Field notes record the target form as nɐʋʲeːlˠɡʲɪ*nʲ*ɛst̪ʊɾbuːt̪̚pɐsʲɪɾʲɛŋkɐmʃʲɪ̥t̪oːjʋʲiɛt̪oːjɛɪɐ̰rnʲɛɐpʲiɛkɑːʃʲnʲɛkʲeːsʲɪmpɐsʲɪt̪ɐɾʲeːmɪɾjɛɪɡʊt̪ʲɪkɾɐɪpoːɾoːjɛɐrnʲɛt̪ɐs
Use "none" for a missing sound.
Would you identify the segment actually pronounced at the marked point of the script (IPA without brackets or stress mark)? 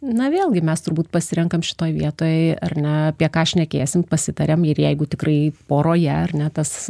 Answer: mʲ